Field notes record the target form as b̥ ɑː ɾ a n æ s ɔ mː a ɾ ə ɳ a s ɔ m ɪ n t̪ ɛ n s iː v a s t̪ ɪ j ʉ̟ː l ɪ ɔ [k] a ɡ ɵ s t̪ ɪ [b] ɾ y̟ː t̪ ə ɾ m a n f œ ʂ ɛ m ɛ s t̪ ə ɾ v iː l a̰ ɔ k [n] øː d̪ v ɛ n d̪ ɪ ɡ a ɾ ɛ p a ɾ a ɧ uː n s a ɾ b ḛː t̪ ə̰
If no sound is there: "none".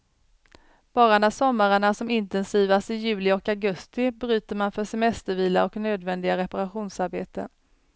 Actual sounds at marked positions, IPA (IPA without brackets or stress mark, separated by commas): k, b, n